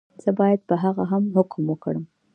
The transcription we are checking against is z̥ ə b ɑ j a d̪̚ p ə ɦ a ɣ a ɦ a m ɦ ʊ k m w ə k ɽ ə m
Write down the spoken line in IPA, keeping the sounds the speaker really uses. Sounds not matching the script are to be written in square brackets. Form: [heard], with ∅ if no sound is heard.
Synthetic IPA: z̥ ə b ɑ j a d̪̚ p ə ɦ a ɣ a ɦ a m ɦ ʊ k m w ə k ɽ ə m